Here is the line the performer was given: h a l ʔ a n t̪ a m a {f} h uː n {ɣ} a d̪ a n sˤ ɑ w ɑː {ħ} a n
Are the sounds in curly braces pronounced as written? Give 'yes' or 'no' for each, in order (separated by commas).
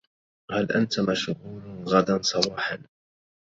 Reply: no, yes, yes